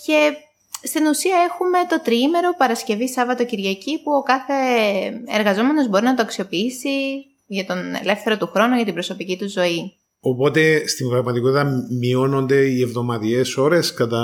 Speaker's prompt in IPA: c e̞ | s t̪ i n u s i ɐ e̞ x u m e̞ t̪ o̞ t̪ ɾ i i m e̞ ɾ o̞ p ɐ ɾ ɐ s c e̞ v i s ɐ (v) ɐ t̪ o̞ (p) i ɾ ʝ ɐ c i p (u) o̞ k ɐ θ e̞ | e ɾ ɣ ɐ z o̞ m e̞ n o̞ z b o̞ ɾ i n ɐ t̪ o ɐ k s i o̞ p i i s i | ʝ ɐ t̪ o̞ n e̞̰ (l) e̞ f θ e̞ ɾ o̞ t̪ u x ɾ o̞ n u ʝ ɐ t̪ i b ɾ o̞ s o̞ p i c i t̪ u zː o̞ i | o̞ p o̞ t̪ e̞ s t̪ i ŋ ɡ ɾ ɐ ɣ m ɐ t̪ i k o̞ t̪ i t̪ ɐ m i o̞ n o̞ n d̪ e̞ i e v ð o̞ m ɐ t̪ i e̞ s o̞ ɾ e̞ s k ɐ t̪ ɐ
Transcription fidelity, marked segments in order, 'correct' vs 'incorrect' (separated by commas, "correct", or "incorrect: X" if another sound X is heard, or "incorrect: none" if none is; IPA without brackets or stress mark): correct, incorrect: c, correct, correct